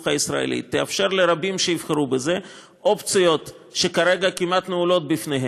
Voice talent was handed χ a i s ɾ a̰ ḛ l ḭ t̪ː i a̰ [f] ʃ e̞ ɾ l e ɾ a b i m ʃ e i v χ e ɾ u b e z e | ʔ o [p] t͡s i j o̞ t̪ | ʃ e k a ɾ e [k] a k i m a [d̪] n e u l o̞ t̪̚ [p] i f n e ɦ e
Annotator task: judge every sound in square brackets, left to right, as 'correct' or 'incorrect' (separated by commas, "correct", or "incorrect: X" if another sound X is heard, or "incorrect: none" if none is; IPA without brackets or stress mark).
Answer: correct, correct, incorrect: ɡ, incorrect: t̪, incorrect: b